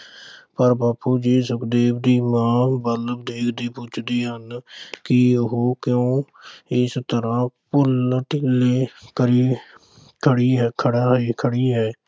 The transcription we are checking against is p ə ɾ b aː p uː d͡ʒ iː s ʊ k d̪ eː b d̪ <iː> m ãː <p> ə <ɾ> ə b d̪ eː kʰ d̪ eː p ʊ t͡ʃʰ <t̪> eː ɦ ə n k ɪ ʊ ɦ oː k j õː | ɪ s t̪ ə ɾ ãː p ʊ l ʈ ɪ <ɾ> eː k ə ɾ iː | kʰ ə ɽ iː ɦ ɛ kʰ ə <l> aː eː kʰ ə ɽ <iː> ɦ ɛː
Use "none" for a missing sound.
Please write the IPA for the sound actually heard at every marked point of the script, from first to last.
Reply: iː, b, l, d̪, l, ɽ, iː

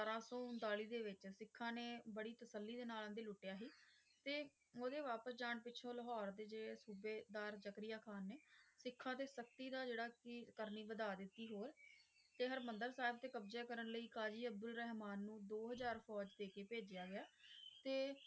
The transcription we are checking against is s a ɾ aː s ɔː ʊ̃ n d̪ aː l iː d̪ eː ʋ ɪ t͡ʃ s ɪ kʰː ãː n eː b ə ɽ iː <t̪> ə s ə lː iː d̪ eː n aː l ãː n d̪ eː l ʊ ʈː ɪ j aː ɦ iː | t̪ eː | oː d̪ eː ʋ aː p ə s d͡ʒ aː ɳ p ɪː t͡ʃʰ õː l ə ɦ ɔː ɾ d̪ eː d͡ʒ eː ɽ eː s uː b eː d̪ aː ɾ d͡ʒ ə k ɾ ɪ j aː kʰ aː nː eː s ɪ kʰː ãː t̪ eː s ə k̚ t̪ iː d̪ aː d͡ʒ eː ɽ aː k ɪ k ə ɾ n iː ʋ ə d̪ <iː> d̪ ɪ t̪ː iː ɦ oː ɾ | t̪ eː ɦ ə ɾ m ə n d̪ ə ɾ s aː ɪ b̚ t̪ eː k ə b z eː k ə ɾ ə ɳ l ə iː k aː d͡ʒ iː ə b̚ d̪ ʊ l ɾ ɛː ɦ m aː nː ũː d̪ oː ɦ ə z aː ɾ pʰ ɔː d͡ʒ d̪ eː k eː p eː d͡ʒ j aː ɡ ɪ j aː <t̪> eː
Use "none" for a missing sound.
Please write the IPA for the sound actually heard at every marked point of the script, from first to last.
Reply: t̪, aː, t̪

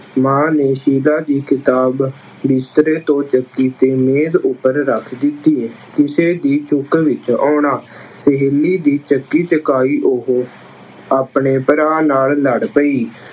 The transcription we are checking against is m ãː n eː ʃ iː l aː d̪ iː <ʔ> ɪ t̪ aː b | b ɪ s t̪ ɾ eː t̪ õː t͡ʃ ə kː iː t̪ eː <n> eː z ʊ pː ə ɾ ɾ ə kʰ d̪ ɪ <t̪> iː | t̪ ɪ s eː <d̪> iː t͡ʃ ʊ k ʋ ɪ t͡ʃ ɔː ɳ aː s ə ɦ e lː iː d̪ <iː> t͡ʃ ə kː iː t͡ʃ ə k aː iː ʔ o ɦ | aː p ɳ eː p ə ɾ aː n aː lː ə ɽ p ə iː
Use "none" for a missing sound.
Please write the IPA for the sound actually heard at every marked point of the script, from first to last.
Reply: k, m, t̪, d̪, iː

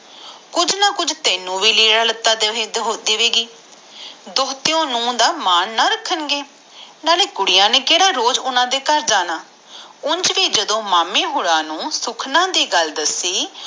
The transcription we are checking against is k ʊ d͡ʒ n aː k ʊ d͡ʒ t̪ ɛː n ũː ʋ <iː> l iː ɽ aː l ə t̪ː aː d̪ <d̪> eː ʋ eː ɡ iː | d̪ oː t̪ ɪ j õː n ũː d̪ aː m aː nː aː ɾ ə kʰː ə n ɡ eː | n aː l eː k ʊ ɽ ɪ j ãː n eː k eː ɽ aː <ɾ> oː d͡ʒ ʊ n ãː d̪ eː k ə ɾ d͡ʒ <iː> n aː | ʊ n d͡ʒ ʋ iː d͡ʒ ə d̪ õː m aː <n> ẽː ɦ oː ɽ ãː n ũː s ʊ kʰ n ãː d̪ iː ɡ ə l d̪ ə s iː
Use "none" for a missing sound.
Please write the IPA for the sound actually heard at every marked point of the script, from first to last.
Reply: iː, d̪, ɾ, aː, m

